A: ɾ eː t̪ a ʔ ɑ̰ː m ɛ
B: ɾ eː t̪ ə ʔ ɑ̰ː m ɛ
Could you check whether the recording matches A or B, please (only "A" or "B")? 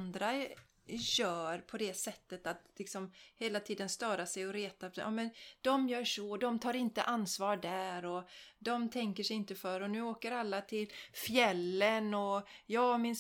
A